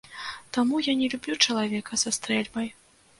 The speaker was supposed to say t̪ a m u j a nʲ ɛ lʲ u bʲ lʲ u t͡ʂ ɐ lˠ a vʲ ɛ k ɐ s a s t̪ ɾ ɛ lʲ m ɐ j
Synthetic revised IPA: t̪ a m u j a nʲ ɛ lʲ u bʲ lʲ u t͡ʂ ɐ lˠ a vʲ ɛ k ɐ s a s t̪ ɾ ɛ lʲ b ɐ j